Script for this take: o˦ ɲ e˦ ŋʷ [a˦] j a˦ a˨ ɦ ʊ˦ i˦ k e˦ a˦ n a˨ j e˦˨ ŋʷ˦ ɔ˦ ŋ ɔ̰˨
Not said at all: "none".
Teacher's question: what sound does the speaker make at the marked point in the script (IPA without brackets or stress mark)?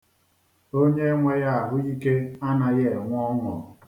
e˦